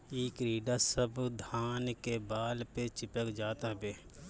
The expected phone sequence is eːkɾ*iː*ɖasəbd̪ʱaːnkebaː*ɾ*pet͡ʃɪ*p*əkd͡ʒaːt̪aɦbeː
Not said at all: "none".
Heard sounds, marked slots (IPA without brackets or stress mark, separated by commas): iː, l, p